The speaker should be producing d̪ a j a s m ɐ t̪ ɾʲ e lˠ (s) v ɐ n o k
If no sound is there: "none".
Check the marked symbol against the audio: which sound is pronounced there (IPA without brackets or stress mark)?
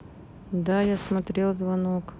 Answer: z